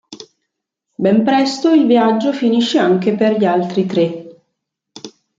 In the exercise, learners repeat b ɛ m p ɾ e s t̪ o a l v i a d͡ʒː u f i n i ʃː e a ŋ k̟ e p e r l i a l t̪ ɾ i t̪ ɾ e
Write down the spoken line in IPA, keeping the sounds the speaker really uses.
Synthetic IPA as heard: b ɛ m p ɾ ɛ s t̪ o i l v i a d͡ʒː o f i n i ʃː e a ŋ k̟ e p e r ʎ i a l t̪ ɾ i t̪ ɾ e